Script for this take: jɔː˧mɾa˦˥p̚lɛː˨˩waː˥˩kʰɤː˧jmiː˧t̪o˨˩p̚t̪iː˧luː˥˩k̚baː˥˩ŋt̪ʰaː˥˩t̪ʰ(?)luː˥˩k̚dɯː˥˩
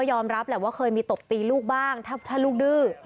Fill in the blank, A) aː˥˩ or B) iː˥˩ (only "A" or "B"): A